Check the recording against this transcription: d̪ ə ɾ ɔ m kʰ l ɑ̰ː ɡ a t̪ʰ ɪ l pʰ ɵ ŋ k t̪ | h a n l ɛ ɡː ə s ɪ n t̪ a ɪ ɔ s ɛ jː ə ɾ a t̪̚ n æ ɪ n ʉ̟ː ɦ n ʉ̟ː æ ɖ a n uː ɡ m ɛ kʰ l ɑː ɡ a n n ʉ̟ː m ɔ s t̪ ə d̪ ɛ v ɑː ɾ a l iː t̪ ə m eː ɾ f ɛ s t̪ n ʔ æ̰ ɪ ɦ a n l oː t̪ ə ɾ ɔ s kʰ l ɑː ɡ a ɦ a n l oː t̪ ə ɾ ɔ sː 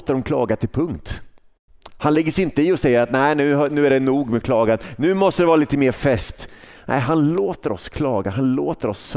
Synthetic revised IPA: t̪ ə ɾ ɔ m kʰ l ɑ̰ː ɡ a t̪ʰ ɪ l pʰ ɵ ŋ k t̪ | h a n l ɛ ɡː ə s ɪ n t̪ ə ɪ ɔ s ɛ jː ə ɾ a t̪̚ n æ ɪ n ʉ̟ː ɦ n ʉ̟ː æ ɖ ɛ n uː ɡ m ɛ kʰ l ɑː ɡ a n n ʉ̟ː m ɔ s t̪ ə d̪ ɛ v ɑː ɾ a l iː t̪ ə m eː ɾ f ɛ s t̪ n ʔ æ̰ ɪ ɦ a n l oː t̪ ə ɾ ɔ s kʰ l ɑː ɡ a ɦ a n l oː t̪ ə ɾ ɔ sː